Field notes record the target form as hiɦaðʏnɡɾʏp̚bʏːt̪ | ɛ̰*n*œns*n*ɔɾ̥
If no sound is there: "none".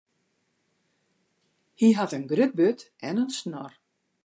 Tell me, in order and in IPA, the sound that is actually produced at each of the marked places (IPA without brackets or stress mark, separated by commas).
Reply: n, n